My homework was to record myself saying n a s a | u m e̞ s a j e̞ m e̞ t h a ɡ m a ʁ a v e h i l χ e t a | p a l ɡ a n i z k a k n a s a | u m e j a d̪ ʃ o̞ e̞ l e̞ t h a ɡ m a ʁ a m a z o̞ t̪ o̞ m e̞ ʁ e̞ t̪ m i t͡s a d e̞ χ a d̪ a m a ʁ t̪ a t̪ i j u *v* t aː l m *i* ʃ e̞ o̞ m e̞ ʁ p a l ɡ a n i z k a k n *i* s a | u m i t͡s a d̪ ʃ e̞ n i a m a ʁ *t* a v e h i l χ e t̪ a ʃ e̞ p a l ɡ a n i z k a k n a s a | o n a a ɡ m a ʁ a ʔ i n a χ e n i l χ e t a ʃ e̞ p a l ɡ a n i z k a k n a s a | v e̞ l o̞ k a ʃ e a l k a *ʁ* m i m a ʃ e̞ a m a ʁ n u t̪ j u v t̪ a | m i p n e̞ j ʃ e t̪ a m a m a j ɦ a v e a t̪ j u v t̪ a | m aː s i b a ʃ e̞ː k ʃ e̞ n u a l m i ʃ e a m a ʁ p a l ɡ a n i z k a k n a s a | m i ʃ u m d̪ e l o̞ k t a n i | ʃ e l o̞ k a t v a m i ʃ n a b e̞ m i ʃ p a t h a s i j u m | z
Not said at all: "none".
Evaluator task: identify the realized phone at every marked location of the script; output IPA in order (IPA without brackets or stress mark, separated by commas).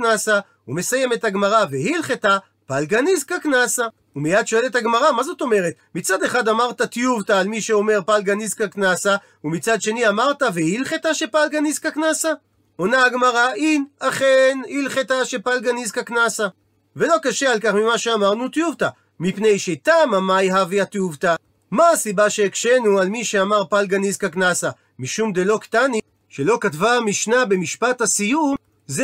v, i, a, t, χ